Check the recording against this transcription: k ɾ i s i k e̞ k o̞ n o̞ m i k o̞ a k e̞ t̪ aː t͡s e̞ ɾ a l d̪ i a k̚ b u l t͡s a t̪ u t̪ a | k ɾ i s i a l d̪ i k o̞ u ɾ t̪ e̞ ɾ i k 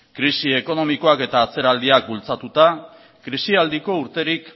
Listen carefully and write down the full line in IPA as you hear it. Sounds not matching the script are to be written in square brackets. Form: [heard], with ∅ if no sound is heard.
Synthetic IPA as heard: k ɾ i s i [∅] e̞ k o̞ n o̞ m i k o̞ a k e̞ t̪ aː t͡s e̞ ɾ a l d̪ i a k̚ b u l t͡s a t̪ u t̪ a | k ɾ i s i a l d̪ i k o̞ u ɾ t̪ e̞ ɾ i k